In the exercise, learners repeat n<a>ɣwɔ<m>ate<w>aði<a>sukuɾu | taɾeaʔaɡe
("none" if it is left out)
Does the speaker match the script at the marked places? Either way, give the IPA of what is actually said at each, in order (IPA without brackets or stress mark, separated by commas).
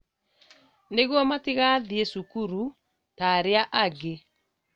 e, m, ɣ, e